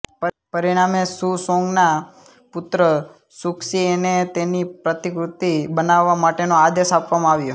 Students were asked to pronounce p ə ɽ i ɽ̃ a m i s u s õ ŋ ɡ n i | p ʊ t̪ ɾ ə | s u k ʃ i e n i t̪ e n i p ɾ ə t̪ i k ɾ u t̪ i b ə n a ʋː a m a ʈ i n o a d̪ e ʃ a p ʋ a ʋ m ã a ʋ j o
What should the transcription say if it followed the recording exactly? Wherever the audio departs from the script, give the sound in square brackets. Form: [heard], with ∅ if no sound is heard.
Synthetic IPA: p ə [ɾ] i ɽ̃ a m [e] s u s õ ŋ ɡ n [a] | p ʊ t̪ ɾ ə | s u k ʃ i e n [e] t̪ e n i p ɾ ə t̪ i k ɾ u t̪ i b ə n a ʋː a m a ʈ [e] n o a d̪ e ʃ a p ʋ a [∅] m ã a ʋ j o